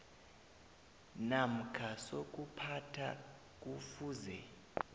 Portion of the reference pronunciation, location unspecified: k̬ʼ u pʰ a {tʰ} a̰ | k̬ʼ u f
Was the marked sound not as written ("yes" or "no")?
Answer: no